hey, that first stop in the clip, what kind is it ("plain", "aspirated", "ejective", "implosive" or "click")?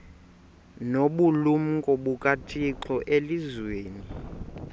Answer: implosive